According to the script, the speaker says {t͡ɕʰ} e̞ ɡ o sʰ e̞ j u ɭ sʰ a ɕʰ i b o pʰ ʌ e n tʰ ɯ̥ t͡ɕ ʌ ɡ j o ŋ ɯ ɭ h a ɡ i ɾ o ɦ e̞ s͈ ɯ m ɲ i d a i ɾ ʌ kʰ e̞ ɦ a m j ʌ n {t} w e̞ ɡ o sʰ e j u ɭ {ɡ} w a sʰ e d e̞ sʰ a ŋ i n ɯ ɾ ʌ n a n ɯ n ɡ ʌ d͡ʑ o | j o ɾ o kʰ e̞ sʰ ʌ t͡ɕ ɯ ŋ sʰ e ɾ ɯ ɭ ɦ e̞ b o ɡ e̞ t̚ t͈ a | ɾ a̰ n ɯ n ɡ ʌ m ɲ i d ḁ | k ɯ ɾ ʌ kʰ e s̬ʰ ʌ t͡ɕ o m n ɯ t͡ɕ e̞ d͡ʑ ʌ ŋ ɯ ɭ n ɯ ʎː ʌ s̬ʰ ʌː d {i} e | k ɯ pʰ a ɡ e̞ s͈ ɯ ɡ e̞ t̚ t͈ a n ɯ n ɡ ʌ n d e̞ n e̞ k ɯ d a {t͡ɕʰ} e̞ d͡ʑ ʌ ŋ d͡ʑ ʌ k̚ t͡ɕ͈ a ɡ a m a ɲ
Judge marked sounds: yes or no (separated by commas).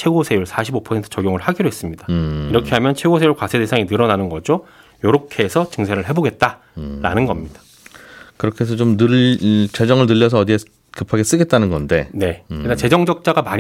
yes, no, no, yes, no